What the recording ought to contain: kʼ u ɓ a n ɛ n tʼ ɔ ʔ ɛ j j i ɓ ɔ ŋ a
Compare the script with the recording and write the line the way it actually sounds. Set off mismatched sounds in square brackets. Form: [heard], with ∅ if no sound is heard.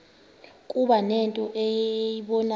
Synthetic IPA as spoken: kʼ u ɓ a n ɛ n tʼ ɔ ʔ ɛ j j i ɓ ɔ [n] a